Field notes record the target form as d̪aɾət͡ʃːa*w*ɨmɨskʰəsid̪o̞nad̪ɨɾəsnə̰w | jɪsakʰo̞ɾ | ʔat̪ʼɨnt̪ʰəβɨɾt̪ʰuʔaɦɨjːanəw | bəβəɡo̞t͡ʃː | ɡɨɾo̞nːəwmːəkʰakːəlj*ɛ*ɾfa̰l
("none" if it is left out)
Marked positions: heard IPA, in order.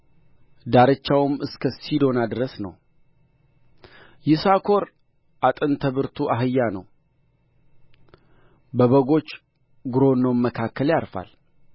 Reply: w, a

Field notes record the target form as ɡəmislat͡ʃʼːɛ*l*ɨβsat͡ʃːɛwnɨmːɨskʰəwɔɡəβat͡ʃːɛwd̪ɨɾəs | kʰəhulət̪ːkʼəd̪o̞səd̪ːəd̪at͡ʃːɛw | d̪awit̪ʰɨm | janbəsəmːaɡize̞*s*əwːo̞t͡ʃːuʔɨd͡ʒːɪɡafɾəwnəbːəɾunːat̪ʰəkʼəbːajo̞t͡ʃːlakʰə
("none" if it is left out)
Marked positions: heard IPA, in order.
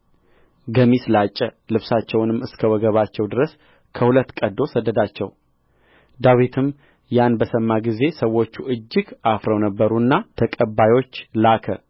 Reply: l, s

